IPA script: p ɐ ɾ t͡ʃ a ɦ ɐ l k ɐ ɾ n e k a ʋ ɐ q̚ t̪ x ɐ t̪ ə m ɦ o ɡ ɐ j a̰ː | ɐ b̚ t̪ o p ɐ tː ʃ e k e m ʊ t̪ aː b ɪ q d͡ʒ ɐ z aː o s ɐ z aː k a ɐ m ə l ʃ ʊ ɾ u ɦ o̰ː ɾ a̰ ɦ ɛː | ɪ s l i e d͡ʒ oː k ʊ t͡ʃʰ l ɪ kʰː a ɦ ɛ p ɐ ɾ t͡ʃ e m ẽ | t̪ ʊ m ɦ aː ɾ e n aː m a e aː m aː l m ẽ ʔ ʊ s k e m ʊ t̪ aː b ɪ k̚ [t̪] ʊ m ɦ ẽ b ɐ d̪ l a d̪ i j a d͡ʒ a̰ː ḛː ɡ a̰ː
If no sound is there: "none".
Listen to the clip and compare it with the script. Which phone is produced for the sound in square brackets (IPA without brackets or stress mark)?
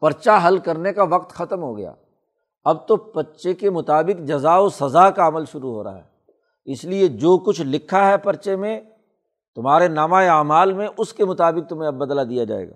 t̪